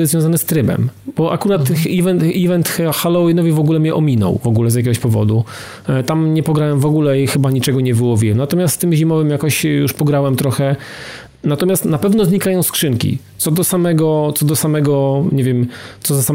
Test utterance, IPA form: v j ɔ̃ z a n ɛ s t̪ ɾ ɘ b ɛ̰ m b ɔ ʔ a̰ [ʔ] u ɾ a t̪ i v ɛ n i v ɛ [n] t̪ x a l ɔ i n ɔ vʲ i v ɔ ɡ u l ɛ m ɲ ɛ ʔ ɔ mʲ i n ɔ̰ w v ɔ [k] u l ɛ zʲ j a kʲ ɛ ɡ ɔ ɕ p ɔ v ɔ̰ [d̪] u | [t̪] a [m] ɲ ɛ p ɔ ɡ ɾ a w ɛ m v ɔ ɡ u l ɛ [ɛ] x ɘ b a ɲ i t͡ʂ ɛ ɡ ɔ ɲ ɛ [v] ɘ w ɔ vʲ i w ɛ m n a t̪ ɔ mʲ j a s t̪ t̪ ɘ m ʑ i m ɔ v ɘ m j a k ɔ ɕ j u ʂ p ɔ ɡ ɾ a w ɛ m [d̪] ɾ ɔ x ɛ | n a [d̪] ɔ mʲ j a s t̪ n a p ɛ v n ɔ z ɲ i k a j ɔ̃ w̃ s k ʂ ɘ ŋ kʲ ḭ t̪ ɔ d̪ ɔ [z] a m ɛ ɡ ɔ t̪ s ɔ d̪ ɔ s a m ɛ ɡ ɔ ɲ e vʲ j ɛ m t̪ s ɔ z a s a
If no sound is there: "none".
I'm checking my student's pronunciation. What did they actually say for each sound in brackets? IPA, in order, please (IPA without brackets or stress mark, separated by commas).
k, n, ɡ, d̪, t̪, m, i, v, t̪, t̪, s